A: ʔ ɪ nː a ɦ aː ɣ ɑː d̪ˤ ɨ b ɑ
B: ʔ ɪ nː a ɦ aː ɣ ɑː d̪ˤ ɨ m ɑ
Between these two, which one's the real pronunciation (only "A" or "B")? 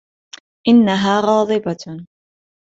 A